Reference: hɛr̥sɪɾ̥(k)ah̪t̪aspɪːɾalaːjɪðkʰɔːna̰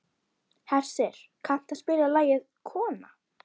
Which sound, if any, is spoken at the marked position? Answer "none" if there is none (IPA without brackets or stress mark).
kʰ